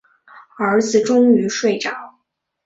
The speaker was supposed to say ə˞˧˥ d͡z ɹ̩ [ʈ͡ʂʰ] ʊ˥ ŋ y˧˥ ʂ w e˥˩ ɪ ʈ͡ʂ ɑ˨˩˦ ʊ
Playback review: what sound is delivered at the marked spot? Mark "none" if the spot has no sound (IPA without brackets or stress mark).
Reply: ʈ͡ʂ